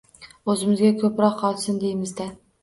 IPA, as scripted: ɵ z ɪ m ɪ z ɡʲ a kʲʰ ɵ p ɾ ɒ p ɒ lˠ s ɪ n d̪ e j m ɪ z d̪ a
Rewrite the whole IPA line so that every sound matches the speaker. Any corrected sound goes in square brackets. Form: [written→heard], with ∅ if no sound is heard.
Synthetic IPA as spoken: ɵ z ɪ m ɪ z ɡʲ a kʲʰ ɵ p ɾ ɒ [p→q] ɒ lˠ s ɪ n d̪ e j m ɪ z d̪ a